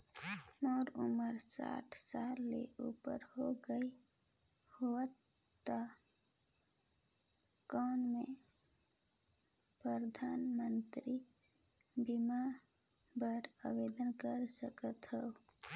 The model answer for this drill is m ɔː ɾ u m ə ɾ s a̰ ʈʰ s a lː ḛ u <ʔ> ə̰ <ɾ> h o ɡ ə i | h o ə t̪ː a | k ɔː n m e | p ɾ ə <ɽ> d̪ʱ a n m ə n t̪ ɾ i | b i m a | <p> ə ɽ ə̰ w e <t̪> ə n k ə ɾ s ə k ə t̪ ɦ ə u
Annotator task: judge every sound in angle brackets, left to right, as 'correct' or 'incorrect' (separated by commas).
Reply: incorrect, correct, incorrect, incorrect, incorrect